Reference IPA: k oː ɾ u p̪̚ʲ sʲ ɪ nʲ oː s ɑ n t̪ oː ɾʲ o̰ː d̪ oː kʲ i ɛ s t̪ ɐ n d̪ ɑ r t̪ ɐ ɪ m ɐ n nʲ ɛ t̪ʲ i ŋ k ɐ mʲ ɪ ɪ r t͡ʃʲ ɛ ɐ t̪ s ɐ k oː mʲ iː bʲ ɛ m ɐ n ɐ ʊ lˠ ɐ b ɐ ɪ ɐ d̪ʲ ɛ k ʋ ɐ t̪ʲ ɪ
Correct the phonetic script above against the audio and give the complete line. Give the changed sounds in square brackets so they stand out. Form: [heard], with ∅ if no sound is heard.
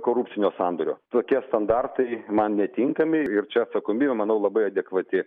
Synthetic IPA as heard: k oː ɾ u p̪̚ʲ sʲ ɪ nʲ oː s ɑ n [d̪] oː ɾʲ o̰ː [t̪] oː kʲ i ɛ s t̪ ɐ n d̪ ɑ r t̪ ɐ ɪ m ɐ n nʲ ɛ t̪ʲ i ŋ k ɐ mʲ ɪ ɪ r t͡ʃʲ ɛ ɐ t̪ s ɐ k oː mʲ iː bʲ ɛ m ɐ n ɐ ʊ lˠ ɐ b ɐ ɪ ɐ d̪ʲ ɛ k ʋ ɐ t̪ʲ ɪ